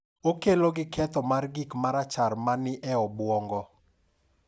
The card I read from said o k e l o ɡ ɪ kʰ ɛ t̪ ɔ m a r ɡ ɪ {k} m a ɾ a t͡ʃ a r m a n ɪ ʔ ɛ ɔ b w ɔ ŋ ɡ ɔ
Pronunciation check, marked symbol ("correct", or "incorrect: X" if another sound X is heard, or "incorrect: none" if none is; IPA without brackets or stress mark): correct